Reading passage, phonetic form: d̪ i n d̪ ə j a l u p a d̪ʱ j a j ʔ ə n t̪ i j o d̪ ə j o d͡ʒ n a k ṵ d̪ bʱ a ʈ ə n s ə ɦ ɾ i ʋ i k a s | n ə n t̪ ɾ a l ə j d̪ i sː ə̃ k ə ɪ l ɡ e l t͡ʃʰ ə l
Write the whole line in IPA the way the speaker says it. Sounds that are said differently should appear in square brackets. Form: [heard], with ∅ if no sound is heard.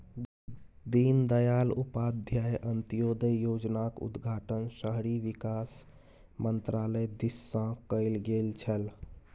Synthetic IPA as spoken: d̪ i n d̪ ə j a l u p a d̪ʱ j a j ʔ ə n t̪ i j o d̪ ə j o d͡ʒ n a k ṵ d̪ [ɡʱ] a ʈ ə n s ə ɦ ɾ i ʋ i k a s | [m] ə n t̪ ɾ a l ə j d̪ i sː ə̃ k ə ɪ l ɡ e l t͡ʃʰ ə l

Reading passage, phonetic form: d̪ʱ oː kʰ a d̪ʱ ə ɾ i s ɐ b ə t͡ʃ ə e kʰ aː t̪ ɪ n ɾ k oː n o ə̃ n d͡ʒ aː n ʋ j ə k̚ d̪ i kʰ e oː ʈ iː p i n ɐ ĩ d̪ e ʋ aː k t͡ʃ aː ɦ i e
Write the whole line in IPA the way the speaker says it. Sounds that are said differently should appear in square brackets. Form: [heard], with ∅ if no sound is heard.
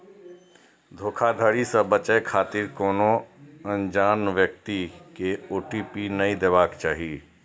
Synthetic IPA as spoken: d̪ʱ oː kʰ a d̪ʱ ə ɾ i s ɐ b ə t͡ʃ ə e kʰ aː t̪ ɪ [∅] ɾ k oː n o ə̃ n d͡ʒ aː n ʋ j ə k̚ [t̪] i [k] e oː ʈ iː p i n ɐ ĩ d̪ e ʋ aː k t͡ʃ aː ɦ i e

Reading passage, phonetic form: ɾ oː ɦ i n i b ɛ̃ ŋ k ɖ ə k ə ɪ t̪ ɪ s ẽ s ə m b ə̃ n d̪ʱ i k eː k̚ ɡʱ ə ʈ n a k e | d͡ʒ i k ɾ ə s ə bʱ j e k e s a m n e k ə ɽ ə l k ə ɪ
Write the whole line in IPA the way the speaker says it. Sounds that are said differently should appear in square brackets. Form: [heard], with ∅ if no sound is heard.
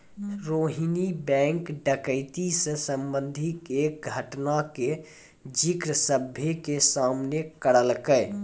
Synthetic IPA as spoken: ɾ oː ɦ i n i b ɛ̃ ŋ k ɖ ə k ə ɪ t̪ [i] s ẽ s ə m b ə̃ n d̪ʱ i k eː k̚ ɡʱ ə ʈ n a k e | d͡ʒ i k ɾ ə s ə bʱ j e k e s a m n e k ə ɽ ə l k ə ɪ

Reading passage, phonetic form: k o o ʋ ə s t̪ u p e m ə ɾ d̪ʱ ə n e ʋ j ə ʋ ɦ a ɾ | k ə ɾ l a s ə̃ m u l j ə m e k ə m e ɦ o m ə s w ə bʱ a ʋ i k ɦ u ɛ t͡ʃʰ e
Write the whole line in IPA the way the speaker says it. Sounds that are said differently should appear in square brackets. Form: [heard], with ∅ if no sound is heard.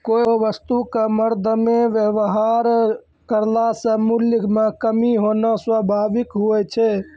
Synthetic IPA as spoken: k o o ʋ ə s t̪ u [k] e m ə ɾ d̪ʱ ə [m] e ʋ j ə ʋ ɦ a ɾ | k ə ɾ l a s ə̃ m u l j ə m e k ə m [i] ɦ o [n] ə s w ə bʱ a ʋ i k ɦ u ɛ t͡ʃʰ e

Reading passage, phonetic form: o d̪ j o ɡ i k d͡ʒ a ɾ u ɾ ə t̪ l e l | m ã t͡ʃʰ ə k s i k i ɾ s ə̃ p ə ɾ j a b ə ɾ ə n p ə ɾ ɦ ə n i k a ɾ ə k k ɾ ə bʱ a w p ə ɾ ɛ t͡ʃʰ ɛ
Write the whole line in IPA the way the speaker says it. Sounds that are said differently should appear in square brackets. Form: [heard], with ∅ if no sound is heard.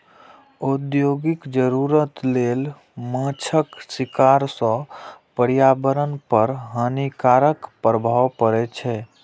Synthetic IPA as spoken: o d̪ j o ɡ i k d͡ʒ [ə] ɾ u ɾ ə t̪ l e l | m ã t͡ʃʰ ə k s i k [a] ɾ s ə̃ p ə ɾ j a b ə ɾ ə n p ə ɾ ɦ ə n i k a ɾ ə k [p] ɾ ə bʱ a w p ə ɾ ɛ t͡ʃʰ ɛ

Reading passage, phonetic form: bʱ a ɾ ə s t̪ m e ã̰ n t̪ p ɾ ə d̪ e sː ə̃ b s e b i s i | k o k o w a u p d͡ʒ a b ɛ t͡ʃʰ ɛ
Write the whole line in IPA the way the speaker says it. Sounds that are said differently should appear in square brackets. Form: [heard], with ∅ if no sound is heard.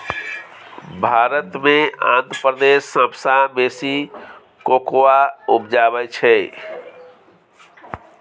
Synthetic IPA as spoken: bʱ a ɾ ə [∅] t̪ m e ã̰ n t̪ p ɾ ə d̪ e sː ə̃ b s [a] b [e] s i | k o k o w a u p d͡ʒ a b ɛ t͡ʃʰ ɛ

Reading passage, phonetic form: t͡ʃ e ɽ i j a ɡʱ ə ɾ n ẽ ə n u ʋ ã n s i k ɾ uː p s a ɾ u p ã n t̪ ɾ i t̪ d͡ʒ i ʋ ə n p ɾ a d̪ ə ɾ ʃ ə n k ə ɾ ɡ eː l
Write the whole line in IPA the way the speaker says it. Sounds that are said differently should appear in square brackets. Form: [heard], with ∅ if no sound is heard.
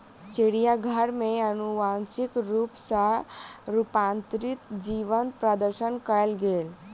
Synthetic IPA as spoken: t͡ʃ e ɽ i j a ɡʱ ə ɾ [m] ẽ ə n u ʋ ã n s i k ɾ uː p s a ɾ u p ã n t̪ ɾ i t̪ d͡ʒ i ʋ ə n p ɾ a d̪ ə ɾ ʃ ə n k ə [l] ɡ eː l

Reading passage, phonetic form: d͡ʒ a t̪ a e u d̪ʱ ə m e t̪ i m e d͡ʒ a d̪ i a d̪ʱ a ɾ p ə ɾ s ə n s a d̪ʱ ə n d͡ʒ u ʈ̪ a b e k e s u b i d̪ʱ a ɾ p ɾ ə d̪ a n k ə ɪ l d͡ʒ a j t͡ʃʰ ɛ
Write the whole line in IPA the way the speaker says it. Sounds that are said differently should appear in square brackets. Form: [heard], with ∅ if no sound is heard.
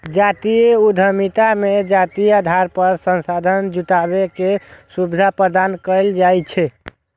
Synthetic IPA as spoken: d͡ʒ a t̪ [i] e u d̪ʱ ə m [i] t̪ [a] m e d͡ʒ a [t̪] i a d̪ʱ a ɾ p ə ɾ s ə n s a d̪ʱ ə n d͡ʒ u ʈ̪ a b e k e s u b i d̪ʱ a [∅] p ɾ ə d̪ a n k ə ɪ l d͡ʒ a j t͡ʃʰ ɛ

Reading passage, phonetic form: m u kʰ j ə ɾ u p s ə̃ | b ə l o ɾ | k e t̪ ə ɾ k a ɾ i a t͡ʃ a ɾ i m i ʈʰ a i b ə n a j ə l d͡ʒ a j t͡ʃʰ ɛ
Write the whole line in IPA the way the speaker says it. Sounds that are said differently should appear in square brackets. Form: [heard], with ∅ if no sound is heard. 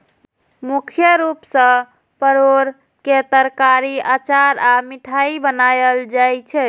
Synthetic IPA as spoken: m u kʰ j ə ɾ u p s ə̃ | [p] ə [ɾ] o ɾ | k e t̪ ə ɾ k a ɾ i a t͡ʃ a ɾ [a] m i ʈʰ a i b ə n a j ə l d͡ʒ a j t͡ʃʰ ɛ

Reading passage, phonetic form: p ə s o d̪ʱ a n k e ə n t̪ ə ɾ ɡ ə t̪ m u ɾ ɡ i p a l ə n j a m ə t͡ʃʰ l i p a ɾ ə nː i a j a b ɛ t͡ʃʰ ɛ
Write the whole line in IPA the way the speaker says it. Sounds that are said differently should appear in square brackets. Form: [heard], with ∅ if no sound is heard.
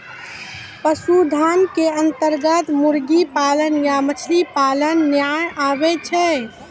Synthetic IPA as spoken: p ə s [u] d̪ʱ a n k e ə n t̪ ə ɾ ɡ ə t̪ m u ɾ ɡ i p a l ə n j a m ə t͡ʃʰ l i p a [l] ə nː [j] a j a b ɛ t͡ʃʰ ɛ

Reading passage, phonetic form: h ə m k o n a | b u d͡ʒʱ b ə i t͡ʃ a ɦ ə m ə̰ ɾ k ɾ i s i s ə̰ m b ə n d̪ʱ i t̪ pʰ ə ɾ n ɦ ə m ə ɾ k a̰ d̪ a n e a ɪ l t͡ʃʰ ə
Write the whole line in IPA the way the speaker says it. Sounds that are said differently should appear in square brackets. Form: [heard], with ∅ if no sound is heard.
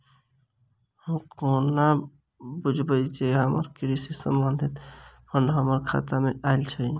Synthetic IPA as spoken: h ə m k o n a | b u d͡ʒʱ b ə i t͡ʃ [e] ɦ ə m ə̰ ɾ k ɾ i s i s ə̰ m b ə n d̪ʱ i t̪ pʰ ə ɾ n ɦ ə m ə ɾ [kʰ] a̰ [t̪] a [m] e a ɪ l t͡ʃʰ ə

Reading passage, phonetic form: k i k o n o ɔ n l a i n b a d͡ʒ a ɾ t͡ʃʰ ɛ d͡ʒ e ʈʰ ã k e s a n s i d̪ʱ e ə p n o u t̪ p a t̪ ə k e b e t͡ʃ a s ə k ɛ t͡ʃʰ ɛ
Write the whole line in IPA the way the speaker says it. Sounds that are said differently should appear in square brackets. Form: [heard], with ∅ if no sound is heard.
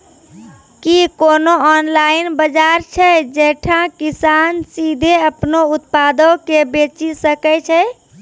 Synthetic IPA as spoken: k i k o n o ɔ n l a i n b [ə] d͡ʒ a ɾ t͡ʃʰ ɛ d͡ʒ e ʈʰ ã k [i] s a n s i d̪ʱ e ə p n o u t̪ p a [d̪] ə k e b e t͡ʃ [i] s ə k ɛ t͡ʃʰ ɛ

